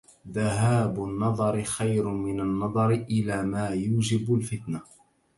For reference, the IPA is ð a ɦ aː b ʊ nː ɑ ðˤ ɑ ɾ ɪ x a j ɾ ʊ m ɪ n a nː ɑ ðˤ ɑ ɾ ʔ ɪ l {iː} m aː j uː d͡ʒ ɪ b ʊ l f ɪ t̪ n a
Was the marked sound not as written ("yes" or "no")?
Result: yes